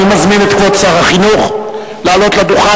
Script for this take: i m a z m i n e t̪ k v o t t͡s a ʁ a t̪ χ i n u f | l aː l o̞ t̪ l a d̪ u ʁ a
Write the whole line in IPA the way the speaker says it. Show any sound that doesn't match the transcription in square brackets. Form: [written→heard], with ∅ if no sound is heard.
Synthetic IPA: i m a z m i n e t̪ k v o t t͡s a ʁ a [t̪→∅] χ i n u [f→χ] | l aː l o̞ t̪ l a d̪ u [ʁ→χ] a